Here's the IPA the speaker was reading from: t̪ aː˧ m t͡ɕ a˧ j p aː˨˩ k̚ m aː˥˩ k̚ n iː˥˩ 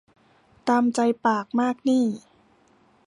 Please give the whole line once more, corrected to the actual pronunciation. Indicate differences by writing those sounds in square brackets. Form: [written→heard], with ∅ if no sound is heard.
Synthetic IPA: t̪ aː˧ m t͡ɕ a˧ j p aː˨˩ k̚ m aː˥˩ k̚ n iː˥˩